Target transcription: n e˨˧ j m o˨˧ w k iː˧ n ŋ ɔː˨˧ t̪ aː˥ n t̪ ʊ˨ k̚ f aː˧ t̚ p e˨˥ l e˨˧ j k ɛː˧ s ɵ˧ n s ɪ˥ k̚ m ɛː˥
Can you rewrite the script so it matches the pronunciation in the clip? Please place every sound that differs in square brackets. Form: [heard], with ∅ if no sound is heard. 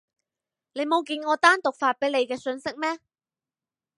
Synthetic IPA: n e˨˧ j m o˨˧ w k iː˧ n ŋ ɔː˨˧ t̪ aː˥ n t̪ ʊ˨ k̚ f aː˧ t̚ p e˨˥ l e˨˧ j k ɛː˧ s ɵ˧ n s ɪ˥ k̚ m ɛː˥